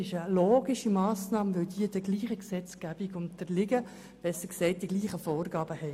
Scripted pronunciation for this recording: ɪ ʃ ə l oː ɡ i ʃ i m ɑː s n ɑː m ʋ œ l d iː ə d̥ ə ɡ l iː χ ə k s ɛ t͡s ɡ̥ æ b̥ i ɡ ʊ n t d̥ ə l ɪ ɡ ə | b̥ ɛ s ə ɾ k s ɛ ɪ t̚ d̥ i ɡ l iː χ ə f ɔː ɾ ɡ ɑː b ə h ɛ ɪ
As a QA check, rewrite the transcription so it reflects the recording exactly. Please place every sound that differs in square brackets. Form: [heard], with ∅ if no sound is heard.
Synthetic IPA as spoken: ɪ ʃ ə l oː ɡ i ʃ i m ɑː s n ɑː m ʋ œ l d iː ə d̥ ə ɡ l iː χ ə k s ɛ t͡s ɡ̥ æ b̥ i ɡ ʊ n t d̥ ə l ɪ ɡ ə | b̥ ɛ s ə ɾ k s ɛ ɪ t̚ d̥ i ɡ l iː χ ə f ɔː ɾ ɡ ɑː b ə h ɛ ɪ